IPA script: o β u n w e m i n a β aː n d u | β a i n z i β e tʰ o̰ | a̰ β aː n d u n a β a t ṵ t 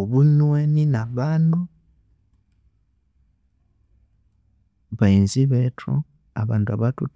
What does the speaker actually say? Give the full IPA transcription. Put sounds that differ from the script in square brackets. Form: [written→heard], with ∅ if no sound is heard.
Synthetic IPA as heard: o β u n w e [m→n] i n a β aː n d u | β a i n z i β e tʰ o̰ | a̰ β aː n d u [n→∅] a β a t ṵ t